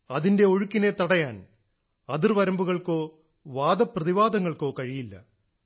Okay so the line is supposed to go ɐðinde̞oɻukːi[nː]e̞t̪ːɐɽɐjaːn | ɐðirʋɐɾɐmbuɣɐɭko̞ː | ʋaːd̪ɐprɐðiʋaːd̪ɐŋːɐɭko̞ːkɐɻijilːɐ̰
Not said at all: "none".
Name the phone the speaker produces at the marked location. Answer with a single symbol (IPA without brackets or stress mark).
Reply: n